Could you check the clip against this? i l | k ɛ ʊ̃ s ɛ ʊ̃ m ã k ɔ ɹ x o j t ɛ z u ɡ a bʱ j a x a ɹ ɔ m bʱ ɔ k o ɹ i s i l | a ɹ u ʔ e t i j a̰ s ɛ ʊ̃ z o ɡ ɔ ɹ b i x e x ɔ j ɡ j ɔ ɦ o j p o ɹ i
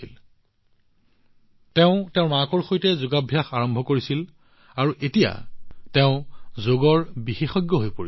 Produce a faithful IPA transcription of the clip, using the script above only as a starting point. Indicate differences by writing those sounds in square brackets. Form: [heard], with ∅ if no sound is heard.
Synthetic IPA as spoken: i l | [t] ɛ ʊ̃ [t] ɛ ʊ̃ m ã k ɔ ɹ x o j t ɛ z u ɡ a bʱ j a x a ɹ ɔ m bʱ ɔ k o ɹ i s i l | a ɹ u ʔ e t i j a̰ [t] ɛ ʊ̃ z o ɡ ɔ ɹ b i x e x ɔ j ɡ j ɔ ɦ o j p o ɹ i